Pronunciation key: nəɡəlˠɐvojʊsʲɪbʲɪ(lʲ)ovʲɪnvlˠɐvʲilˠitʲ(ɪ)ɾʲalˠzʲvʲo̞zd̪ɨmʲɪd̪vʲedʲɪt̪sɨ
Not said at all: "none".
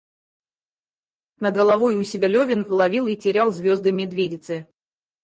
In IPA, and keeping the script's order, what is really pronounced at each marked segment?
lʲ, ɪ

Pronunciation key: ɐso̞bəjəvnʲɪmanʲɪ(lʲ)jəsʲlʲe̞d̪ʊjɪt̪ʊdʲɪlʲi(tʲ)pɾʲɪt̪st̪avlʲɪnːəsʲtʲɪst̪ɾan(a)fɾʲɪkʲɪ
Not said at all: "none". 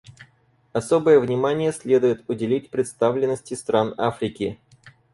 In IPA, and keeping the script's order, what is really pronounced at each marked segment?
none, tʲ, a

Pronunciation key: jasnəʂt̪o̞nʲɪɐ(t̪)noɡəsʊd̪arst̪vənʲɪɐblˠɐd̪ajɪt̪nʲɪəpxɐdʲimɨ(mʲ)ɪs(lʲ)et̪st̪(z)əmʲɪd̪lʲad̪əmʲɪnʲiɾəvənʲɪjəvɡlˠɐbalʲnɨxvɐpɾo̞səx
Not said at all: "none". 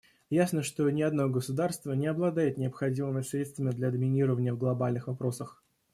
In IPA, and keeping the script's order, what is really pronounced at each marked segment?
d̪, mʲ, ɾʲ, v

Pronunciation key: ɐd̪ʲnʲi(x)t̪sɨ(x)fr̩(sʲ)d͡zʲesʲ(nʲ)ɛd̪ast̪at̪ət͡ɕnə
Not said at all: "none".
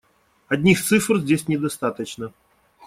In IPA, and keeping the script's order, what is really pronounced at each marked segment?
x, none, zʲ, nʲ

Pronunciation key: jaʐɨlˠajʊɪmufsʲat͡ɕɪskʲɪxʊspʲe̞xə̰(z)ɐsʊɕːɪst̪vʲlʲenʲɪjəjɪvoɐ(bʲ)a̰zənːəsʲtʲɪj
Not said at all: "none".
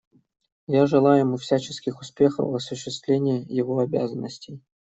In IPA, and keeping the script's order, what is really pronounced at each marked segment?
v, bʲ

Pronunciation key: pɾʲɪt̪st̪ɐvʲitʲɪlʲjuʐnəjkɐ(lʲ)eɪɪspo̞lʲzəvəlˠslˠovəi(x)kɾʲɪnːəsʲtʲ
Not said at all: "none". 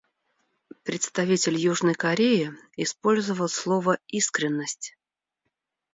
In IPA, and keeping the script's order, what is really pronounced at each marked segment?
ɾʲ, s

